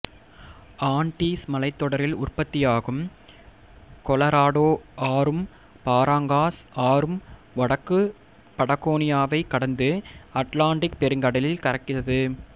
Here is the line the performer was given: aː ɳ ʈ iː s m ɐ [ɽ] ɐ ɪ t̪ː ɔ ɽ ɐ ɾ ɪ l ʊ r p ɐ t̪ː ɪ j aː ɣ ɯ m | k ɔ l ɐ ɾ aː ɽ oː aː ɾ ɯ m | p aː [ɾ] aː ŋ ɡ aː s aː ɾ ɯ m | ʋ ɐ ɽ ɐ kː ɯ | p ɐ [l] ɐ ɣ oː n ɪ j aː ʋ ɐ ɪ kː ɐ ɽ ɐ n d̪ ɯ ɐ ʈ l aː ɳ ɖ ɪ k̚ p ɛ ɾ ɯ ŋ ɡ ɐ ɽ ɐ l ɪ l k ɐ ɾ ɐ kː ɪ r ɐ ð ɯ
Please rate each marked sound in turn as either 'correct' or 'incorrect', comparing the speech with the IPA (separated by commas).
incorrect, correct, incorrect